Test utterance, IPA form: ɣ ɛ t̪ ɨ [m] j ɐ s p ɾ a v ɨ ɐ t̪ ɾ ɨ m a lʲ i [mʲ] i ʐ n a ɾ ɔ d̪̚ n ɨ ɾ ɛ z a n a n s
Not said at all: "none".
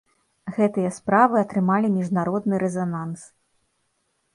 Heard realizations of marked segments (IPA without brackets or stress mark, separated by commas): none, mʲ